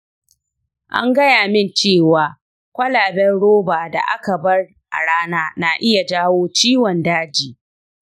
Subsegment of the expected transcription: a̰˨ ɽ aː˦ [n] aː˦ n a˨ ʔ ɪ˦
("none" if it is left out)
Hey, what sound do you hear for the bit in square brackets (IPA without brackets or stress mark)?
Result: n